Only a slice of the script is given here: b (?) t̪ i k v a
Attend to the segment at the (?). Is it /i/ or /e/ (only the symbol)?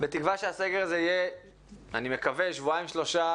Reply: e